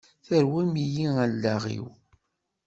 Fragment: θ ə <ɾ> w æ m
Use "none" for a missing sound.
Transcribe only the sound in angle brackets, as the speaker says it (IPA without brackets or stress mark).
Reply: ɾ